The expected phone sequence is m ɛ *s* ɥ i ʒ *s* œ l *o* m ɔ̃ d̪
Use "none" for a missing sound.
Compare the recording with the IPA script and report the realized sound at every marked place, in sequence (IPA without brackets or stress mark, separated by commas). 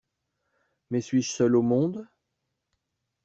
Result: s, s, o